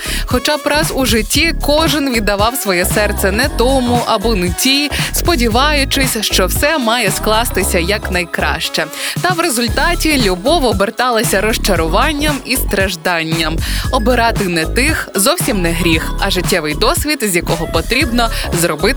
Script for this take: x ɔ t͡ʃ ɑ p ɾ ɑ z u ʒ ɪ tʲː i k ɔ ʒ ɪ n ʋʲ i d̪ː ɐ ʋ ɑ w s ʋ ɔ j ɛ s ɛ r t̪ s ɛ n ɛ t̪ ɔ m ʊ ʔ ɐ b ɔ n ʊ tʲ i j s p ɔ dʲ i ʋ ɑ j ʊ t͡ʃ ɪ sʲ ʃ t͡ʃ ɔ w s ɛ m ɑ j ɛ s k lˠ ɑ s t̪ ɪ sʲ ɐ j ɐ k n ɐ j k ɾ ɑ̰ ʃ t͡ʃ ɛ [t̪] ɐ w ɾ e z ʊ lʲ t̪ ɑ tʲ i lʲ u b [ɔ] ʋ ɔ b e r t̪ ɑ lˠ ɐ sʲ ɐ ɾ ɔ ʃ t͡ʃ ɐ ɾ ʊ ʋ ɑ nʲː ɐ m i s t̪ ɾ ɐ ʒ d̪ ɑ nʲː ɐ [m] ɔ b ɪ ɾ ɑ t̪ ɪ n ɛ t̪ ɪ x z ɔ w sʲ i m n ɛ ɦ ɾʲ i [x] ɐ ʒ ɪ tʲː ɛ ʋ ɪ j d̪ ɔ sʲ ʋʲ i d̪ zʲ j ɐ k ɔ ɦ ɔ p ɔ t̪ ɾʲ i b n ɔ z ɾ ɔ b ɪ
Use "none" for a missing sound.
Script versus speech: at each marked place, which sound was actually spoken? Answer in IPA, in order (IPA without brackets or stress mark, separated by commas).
t̪, ɔ, m, x